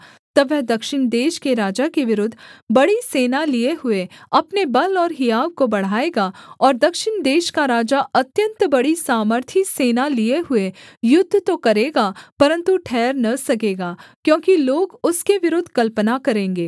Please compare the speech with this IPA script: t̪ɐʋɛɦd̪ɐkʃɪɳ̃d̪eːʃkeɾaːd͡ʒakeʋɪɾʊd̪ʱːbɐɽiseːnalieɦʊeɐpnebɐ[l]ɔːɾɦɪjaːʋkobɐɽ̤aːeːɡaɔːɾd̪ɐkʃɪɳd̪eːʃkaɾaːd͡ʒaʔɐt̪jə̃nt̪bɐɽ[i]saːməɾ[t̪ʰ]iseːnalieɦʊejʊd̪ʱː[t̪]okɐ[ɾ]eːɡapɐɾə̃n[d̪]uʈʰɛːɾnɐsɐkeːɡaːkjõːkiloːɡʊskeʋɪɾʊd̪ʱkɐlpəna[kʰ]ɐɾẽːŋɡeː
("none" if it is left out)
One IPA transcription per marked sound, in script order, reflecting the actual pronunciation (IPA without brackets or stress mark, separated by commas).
l, i, t̪ʰ, t̪, ɾ, t̪, k